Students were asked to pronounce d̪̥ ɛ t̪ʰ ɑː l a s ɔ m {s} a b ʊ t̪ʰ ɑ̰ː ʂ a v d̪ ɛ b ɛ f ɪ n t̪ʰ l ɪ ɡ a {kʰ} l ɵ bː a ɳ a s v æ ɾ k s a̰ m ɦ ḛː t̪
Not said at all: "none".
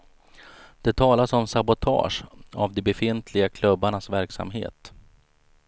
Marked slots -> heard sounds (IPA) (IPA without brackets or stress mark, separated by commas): s, kʰ